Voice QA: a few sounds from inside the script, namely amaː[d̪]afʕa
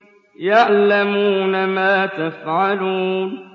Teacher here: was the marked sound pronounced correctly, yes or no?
no